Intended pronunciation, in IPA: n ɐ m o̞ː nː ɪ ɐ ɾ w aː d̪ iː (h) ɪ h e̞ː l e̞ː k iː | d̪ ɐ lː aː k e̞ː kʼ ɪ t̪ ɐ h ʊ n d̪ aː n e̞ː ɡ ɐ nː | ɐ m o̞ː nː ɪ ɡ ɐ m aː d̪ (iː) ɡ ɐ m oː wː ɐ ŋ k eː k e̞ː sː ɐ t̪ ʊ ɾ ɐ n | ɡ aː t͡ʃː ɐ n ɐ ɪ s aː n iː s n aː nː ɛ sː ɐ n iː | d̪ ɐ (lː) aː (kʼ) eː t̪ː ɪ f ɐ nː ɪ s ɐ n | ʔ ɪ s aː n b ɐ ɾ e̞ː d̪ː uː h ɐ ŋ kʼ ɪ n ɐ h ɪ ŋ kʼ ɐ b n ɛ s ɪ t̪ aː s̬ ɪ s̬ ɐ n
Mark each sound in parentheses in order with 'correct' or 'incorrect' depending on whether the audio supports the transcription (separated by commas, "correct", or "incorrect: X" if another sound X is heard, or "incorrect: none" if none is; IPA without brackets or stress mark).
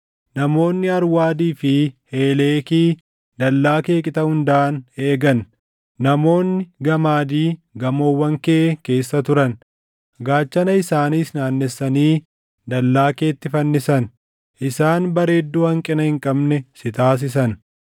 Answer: incorrect: f, correct, correct, incorrect: k